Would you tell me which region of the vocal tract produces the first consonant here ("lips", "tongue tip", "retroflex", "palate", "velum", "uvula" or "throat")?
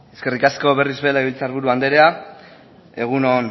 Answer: tongue tip